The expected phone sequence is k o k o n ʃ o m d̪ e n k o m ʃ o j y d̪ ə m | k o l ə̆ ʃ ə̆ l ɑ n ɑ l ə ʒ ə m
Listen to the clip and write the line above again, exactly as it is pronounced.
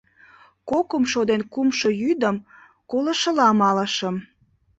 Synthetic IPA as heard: k o k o m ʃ o d̪ e n k u m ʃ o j y d̪ ə m | k o l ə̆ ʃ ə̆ l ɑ m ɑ l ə ʃ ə m